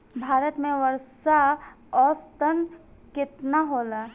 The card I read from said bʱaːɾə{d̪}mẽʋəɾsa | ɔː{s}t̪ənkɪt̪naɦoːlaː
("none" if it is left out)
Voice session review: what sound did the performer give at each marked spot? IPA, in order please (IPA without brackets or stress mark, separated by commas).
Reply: t̪, s